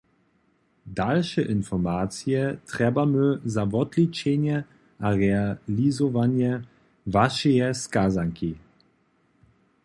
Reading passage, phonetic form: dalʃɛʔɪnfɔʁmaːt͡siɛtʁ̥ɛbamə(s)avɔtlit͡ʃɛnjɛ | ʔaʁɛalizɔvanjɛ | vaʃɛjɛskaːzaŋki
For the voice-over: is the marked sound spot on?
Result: no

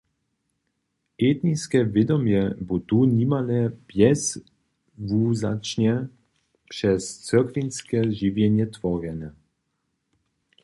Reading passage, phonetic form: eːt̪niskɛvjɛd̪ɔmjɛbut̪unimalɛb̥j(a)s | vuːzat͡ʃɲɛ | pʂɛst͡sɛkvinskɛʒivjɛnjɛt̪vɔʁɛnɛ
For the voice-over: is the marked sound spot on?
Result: no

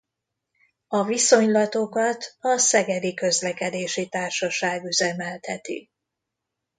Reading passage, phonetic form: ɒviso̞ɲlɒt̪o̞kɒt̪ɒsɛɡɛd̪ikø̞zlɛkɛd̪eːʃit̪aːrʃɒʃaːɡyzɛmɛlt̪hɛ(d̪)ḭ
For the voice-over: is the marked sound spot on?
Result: no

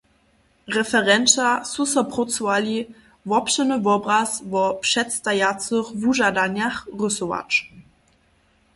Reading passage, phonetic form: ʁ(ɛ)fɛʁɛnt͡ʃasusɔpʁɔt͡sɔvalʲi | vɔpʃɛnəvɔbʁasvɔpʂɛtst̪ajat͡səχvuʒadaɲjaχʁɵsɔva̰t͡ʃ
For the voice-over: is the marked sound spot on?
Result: yes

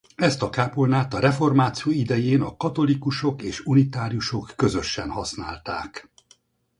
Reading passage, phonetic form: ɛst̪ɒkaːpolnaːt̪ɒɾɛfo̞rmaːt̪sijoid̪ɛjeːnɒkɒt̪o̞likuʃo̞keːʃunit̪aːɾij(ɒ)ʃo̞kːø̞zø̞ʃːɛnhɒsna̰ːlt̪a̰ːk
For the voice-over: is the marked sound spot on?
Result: no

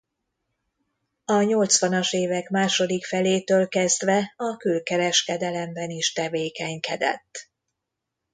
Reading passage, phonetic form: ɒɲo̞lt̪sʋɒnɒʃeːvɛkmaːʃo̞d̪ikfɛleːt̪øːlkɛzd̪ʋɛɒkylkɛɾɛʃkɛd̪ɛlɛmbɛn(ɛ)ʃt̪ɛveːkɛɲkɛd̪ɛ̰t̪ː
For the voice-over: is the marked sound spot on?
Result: no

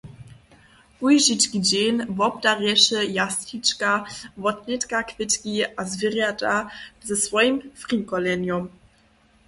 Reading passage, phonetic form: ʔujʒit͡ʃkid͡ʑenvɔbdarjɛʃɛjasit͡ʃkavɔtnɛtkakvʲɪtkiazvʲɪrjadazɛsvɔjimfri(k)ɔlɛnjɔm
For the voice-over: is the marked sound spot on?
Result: yes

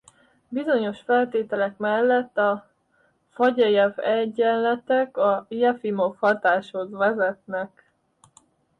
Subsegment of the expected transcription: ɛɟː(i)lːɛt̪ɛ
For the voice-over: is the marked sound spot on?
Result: no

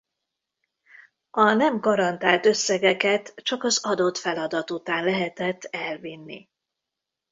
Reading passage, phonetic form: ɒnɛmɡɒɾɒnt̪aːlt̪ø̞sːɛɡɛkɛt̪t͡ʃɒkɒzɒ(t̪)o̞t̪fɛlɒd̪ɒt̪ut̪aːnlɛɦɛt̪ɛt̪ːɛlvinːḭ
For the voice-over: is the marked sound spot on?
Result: no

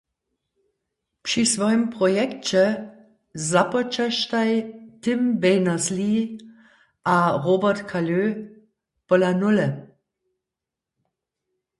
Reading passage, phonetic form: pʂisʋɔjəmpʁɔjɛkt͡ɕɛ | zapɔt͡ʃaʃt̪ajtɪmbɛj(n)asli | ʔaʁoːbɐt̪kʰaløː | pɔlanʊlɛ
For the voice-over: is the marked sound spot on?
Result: yes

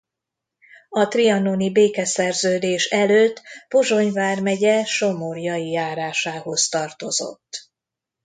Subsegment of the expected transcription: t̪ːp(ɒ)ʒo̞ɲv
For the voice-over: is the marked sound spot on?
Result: no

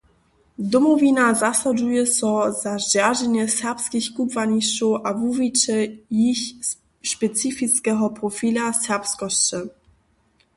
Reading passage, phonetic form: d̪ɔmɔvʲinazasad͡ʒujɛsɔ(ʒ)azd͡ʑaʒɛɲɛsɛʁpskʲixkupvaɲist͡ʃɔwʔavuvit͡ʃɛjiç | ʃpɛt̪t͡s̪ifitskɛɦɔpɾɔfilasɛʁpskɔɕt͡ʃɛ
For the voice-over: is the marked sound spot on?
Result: no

